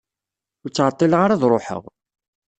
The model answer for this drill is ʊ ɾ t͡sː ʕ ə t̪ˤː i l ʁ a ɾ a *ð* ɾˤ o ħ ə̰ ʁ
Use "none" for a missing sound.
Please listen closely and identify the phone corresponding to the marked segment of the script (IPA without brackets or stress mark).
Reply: ð